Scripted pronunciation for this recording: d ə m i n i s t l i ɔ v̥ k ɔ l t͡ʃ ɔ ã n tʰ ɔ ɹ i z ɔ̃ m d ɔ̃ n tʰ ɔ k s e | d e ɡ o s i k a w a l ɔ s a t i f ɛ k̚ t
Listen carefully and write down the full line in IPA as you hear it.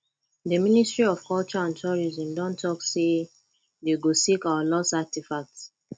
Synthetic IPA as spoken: d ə m i n i s t ɹ i ɔ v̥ k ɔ l t͡ʃ ɔ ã n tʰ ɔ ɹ i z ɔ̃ m d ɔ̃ n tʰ ɔ k s e | d e ɡ o s i k a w a l ɔ s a t i f a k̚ t